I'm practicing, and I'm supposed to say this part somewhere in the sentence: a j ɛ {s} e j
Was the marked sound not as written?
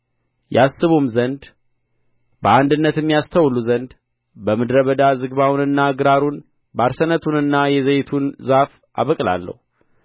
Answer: yes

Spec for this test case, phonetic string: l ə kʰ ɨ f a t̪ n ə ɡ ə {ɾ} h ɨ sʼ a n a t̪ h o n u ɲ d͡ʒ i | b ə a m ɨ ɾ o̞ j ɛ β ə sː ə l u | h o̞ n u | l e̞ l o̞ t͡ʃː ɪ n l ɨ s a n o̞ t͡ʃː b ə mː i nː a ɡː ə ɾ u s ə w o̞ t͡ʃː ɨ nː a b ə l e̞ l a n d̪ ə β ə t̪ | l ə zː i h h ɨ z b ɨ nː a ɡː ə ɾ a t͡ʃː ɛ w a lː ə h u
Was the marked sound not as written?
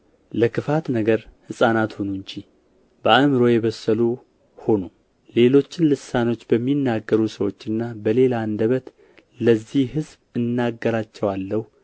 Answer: no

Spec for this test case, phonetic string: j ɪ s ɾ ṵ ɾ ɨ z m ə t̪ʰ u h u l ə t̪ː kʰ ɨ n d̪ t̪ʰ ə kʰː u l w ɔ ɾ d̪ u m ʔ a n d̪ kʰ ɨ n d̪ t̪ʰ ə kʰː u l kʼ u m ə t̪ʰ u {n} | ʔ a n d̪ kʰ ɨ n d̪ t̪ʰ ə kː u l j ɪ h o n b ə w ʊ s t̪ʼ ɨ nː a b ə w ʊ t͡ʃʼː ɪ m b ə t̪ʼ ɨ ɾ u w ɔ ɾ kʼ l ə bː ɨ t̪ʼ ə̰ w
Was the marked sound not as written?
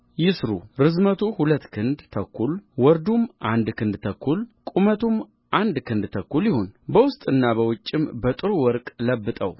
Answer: yes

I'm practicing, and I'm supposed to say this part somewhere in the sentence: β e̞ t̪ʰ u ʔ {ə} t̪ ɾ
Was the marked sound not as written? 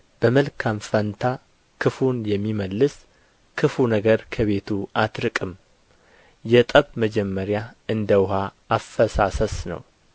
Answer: yes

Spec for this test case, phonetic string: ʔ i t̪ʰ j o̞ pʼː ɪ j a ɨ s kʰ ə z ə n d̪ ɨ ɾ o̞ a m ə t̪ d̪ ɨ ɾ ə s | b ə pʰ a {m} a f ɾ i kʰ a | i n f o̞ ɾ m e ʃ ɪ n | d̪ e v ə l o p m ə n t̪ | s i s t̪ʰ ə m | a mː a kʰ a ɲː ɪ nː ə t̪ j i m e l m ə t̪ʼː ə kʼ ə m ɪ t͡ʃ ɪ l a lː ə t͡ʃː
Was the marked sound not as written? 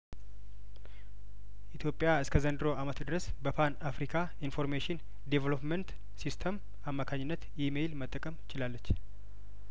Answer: yes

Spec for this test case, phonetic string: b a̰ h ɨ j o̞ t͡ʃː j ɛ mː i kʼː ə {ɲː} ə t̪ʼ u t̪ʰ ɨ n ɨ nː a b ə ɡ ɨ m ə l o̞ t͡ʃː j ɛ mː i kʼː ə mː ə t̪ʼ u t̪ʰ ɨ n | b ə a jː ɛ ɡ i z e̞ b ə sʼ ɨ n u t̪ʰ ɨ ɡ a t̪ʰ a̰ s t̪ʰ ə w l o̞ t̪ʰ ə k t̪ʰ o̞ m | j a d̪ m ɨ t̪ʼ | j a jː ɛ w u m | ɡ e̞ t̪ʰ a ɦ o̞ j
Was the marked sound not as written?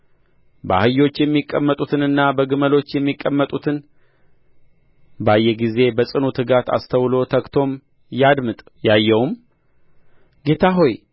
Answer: yes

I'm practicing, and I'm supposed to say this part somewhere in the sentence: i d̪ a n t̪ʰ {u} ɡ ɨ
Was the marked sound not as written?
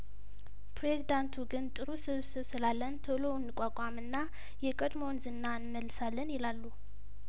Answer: no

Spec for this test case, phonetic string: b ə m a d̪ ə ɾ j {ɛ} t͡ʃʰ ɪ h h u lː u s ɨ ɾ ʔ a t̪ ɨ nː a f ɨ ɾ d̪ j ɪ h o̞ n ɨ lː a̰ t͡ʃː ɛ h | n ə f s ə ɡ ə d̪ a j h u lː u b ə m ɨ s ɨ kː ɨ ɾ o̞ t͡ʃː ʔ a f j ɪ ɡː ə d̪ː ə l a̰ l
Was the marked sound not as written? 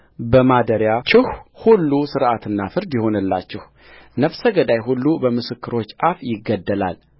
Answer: yes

